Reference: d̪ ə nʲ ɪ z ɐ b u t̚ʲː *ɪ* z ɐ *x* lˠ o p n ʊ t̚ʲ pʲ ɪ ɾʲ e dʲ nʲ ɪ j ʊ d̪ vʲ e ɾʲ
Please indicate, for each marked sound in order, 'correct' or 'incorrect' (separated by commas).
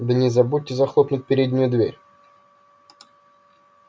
correct, correct